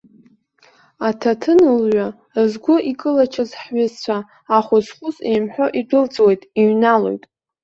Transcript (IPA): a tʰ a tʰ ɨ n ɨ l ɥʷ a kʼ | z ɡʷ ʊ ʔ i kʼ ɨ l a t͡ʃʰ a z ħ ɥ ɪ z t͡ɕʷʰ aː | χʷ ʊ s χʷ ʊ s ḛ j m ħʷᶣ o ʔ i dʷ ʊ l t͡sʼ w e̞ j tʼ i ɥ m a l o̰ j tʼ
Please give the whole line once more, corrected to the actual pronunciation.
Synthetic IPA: a tʰ a tʰ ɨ n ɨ l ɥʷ a | z ɡʷ ʊ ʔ i kʼ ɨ l a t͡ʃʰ a z ħ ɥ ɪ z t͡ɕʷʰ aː | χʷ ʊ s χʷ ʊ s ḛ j m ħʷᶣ o ʔ i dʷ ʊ l t͡sʼ w e̞ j tʼ i ɥ n a l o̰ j tʼ